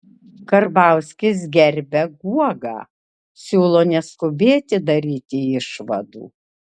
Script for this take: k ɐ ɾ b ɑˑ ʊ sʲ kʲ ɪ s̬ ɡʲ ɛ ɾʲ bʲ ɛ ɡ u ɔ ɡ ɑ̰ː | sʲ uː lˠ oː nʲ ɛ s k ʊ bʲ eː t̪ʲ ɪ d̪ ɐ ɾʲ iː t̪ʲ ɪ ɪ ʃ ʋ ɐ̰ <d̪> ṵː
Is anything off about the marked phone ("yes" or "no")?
no